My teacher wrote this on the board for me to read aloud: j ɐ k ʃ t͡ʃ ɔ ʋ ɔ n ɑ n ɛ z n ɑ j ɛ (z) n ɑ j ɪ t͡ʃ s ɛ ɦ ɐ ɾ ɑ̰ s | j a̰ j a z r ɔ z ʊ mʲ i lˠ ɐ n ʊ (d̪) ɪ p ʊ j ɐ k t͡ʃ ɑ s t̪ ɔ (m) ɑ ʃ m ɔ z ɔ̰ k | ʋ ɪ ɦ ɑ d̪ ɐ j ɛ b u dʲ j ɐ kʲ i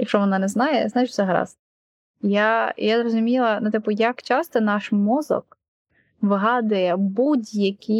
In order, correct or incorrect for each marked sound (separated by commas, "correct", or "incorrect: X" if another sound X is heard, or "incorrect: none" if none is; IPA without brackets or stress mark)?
correct, incorrect: t̪, incorrect: n